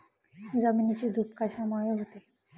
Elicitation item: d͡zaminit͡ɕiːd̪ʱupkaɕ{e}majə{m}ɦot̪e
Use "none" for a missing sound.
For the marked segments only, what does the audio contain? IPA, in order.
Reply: a, none

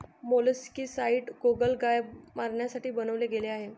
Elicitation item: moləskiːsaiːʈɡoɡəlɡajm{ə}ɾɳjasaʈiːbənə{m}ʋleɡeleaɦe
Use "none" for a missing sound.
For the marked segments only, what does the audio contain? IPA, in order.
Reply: a, none

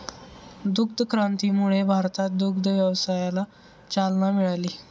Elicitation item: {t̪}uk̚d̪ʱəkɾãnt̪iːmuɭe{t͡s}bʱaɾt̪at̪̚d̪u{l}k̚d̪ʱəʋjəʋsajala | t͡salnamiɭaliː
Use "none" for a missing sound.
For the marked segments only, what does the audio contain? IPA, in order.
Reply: d̪, none, none

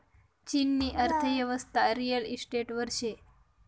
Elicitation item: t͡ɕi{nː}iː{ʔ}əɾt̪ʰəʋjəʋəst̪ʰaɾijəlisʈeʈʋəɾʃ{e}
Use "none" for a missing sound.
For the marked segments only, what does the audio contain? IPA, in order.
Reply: nː, ʔ, e

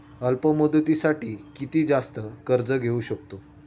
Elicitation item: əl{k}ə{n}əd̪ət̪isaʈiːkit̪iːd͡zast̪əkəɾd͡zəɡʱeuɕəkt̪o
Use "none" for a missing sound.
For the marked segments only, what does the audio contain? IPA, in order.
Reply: p, m

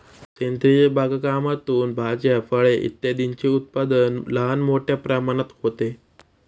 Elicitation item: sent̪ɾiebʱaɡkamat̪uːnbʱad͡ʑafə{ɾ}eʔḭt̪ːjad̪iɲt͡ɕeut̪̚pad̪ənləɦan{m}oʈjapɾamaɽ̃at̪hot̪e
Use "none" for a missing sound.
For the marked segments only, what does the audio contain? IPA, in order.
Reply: ɭ, m

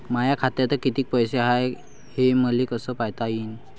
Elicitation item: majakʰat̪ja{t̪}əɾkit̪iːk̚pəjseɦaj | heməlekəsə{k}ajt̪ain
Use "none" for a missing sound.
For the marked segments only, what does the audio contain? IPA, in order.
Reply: t̪, p

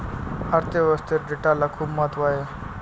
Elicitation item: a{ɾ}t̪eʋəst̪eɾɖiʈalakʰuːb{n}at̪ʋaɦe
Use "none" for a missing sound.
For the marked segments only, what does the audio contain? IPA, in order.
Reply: ɾ, m

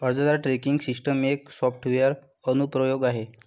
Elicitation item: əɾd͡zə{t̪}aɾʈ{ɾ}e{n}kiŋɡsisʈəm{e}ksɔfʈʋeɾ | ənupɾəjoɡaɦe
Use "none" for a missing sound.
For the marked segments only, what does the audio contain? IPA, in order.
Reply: d̪, ɾ, none, e

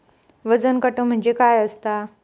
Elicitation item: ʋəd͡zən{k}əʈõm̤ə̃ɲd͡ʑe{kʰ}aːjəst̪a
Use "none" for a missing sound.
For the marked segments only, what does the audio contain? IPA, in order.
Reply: k, k

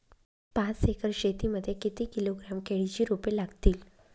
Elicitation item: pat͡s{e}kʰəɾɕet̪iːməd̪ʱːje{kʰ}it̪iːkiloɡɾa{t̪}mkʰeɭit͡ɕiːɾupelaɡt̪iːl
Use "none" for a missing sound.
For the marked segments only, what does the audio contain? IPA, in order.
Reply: e, k, none

